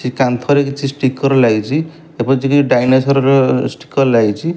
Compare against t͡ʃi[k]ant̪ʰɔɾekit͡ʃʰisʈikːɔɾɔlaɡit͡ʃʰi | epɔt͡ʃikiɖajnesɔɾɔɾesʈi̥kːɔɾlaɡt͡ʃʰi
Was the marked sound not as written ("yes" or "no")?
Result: no